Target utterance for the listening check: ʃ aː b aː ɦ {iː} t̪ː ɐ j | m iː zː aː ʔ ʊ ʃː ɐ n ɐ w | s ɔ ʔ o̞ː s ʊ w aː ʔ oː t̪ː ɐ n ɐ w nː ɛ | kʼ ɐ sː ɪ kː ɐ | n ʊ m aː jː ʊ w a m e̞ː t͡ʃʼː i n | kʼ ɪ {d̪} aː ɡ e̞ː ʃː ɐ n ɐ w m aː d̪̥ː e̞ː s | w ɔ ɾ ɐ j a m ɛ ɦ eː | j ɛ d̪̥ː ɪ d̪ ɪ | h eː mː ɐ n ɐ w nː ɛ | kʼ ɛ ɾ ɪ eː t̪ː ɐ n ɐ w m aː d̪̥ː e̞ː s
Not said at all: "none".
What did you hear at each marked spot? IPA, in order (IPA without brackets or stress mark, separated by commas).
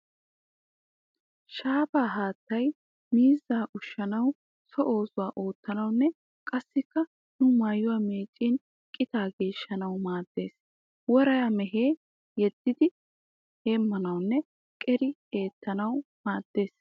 aː, t̪